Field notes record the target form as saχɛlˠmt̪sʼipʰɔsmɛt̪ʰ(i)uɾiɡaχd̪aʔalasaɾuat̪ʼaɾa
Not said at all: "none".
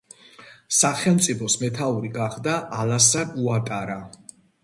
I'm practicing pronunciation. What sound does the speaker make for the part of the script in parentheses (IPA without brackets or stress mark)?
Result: a